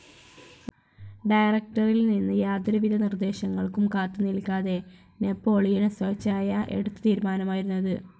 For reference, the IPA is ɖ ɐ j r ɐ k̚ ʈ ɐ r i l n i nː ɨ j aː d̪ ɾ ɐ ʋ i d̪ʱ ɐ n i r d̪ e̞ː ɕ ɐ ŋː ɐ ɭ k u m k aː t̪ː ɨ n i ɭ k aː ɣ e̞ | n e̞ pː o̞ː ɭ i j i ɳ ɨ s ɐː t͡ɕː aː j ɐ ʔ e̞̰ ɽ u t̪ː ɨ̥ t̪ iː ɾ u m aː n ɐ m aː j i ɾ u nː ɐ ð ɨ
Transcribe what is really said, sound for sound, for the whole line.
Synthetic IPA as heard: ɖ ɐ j r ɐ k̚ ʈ ɐ r i l n i nː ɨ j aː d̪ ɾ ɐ ʋ i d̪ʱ ɐ n i r d̪ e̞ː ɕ ɐ ŋː ɐ ɭ k u m k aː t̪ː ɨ n i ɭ k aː ð e̞ | n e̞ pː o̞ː ɭ i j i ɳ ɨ s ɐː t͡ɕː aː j ɐ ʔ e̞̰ ɽ u t̪ː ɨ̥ t̪ iː ɾ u m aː n ɐ m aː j i ɾ u nː ɐ ð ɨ